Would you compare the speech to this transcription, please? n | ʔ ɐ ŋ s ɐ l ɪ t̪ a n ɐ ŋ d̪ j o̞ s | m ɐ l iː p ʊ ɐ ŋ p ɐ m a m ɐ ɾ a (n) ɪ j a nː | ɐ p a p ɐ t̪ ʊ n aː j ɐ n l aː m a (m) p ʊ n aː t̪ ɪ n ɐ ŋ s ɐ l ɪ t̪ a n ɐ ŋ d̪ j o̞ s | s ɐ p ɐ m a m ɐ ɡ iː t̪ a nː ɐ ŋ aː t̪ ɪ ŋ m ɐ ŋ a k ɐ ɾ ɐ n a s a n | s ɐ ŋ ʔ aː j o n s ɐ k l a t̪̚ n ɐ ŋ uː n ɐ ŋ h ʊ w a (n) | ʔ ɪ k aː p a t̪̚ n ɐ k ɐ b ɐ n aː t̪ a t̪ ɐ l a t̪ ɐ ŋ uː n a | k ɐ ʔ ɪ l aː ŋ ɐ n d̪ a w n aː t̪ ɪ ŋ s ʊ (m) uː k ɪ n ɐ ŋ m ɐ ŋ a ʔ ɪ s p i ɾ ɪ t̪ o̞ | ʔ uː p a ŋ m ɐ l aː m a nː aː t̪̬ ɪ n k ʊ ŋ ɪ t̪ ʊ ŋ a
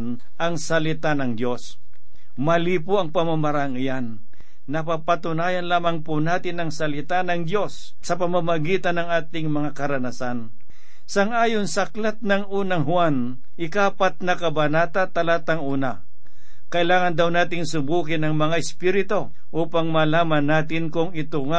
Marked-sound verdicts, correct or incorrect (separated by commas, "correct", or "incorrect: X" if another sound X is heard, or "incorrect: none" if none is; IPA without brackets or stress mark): incorrect: ŋ, incorrect: ŋ, correct, incorrect: b